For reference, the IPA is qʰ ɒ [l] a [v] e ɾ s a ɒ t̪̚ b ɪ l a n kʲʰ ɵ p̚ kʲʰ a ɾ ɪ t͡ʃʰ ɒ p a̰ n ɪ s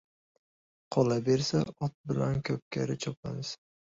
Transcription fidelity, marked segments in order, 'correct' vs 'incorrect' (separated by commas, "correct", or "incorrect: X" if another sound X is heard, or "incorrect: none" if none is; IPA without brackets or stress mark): correct, incorrect: b